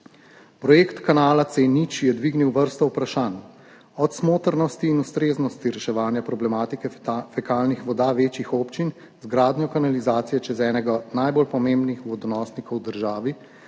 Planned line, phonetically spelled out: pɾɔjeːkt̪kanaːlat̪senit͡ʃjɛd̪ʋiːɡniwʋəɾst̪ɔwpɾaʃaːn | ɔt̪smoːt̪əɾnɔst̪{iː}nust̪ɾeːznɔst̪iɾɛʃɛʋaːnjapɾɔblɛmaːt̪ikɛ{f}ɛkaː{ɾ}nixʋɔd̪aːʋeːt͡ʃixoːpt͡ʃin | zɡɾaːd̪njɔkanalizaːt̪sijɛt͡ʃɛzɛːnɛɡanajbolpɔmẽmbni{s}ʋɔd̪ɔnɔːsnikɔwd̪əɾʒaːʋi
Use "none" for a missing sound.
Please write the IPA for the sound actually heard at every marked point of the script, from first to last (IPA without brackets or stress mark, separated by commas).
iː, f, l, x